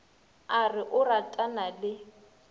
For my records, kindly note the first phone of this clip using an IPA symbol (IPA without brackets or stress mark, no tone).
a